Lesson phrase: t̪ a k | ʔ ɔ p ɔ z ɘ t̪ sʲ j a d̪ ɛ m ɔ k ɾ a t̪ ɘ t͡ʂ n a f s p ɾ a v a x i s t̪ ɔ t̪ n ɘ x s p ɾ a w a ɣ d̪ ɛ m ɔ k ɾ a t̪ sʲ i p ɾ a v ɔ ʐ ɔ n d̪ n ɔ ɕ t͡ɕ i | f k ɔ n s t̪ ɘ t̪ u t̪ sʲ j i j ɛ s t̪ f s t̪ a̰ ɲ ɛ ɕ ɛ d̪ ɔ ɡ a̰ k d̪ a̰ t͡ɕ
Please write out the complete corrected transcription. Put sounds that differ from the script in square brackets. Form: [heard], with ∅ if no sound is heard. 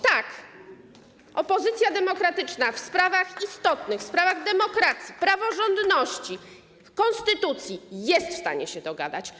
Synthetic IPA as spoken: t̪ a k | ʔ ɔ p ɔ z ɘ t̪ sʲ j a d̪ ɛ m ɔ k ɾ a t̪ ɘ t͡ʂ n a f s p ɾ a v a x i s t̪ ɔ t̪ n ɘ x s p ɾ a [v] a ɣ d̪ ɛ m ɔ k ɾ a t̪ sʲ i p ɾ a v ɔ ʐ ɔ n d̪ n ɔ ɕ t͡ɕ i | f k ɔ n s t̪ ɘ t̪ u t̪ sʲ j i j ɛ s t̪ f s t̪ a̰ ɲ ɛ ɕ ɛ d̪ ɔ ɡ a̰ [∅] d̪ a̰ t͡ɕ